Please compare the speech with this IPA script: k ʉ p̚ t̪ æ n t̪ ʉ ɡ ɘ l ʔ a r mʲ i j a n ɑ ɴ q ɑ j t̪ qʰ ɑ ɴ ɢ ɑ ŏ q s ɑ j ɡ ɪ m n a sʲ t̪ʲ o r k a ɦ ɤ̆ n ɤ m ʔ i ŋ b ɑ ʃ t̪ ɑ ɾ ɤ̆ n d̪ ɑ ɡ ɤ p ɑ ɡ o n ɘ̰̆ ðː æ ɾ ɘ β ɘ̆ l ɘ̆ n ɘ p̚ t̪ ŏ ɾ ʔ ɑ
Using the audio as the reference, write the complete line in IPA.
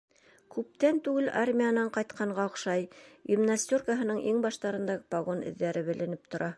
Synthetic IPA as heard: k ʉ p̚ t̪ æ n t̪ ʉ ɡ ɘ l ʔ a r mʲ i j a n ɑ ɴ q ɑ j t̪ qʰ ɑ ɴ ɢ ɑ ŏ q ʃ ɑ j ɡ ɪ m n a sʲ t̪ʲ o r k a ɦ ɤ̆ n ɤ ɴ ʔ i ŋ b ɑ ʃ t̪ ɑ ɾ ɤ̆ n d̪ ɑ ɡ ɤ p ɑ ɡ o n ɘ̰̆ ðː æ ɾ ɘ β ɘ̆ l ɘ̆ n ɘ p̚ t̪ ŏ ɾ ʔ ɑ